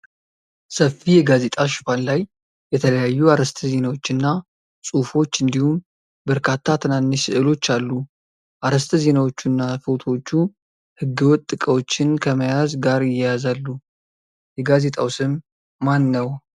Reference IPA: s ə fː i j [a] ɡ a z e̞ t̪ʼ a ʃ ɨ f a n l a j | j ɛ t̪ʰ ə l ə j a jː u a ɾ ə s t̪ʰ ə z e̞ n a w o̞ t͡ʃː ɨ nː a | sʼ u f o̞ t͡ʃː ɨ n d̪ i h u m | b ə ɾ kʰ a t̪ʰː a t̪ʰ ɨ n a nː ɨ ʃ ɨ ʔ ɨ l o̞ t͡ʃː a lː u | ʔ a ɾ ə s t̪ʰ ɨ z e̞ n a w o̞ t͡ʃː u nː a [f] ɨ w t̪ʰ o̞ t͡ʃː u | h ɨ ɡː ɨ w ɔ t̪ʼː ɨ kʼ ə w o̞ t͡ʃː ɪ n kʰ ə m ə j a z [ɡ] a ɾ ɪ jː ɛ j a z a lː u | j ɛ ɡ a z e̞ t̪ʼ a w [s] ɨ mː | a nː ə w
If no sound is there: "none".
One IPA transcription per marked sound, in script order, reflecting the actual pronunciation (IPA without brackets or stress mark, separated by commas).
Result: ɛ, f, ɡ, s